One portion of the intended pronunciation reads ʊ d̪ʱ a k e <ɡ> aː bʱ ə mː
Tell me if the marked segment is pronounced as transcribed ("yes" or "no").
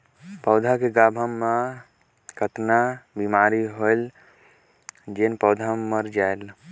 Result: yes